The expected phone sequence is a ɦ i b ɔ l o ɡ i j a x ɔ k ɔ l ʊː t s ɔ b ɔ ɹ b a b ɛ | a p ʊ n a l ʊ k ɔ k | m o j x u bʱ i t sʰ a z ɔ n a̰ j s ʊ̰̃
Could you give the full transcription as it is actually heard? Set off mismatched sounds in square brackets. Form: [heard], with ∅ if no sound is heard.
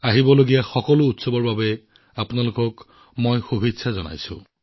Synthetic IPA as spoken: a ɦ i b ɔ l o ɡ i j a x ɔ k ɔ l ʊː t s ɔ b ɔ ɹ b a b ɛ | a p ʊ n a l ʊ k ɔ k | m o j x u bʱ i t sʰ a z ɔ n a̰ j s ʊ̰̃